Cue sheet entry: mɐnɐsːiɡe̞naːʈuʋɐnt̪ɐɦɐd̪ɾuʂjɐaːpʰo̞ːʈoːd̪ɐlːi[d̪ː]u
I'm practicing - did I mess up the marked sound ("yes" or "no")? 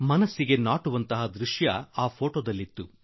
yes